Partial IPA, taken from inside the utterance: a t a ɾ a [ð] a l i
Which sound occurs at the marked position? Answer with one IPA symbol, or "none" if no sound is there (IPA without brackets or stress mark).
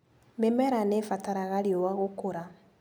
ɣ